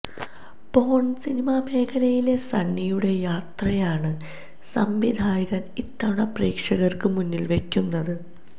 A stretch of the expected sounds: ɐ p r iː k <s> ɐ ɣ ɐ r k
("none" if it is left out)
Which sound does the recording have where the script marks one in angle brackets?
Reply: ʂ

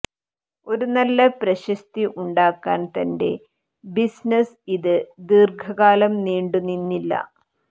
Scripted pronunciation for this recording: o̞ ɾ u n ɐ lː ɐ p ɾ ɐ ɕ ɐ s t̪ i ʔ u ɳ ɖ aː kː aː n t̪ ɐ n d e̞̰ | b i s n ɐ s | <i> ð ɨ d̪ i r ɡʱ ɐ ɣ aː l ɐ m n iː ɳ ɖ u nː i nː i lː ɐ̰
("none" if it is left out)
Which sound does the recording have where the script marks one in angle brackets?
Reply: i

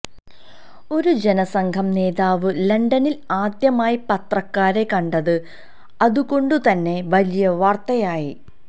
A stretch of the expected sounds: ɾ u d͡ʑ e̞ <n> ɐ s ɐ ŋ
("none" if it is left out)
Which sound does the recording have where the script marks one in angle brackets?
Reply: n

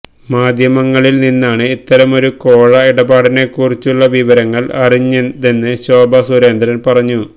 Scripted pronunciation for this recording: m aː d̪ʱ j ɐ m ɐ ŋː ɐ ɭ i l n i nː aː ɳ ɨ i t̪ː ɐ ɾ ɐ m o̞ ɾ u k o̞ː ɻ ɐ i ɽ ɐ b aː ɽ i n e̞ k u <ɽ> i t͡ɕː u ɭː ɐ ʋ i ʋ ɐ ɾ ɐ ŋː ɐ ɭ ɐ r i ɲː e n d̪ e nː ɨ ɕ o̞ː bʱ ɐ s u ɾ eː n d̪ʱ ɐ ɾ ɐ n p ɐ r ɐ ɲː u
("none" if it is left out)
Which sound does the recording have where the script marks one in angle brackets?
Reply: r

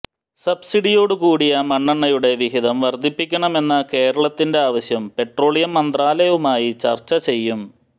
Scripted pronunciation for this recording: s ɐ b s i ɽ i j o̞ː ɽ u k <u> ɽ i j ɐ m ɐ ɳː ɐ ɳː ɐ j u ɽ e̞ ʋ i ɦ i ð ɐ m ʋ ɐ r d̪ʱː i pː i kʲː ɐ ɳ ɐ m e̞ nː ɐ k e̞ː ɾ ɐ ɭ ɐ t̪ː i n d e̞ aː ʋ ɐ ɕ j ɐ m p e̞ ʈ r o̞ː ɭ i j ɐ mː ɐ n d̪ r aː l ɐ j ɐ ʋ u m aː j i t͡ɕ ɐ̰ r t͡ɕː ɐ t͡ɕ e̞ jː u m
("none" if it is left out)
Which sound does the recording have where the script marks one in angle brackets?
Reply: uː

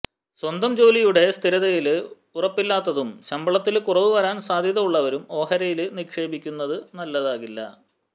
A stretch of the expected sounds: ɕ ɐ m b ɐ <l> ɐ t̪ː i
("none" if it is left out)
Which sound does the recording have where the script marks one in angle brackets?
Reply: ɭ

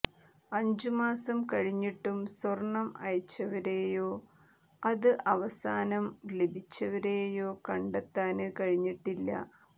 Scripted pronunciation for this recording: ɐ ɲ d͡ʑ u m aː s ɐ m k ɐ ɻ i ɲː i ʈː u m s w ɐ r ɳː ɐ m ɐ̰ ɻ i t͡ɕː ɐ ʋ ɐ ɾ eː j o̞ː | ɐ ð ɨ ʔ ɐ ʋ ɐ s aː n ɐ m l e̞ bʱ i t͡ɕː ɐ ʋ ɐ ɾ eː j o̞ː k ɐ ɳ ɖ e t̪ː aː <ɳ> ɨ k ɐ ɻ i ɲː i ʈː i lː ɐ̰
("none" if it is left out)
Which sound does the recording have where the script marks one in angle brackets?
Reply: n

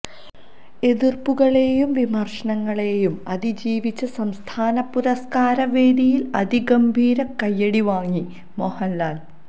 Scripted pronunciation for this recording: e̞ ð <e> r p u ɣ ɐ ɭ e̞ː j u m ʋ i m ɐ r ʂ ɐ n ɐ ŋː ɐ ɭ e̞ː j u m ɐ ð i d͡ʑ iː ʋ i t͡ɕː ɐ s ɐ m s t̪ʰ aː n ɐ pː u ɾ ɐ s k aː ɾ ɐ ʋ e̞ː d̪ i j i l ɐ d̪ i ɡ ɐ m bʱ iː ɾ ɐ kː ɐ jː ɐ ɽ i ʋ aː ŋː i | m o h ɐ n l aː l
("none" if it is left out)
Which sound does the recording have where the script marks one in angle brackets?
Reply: i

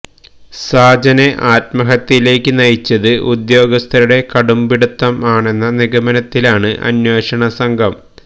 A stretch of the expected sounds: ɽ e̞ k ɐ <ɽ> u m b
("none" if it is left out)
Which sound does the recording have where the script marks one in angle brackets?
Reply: ɽ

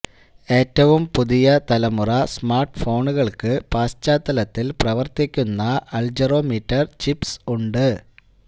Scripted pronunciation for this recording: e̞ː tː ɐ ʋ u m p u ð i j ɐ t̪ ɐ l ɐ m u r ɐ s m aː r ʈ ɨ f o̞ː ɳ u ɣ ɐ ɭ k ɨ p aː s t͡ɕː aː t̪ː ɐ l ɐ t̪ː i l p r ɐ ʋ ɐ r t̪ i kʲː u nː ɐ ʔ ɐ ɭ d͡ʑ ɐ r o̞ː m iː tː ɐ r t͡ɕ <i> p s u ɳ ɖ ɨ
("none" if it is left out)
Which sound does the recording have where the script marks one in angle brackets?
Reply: i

